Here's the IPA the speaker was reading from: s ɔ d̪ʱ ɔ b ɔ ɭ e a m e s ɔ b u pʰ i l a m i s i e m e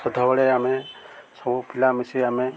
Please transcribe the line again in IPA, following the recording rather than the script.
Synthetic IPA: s ɔ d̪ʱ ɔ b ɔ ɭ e a m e s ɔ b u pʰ i l a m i s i a m e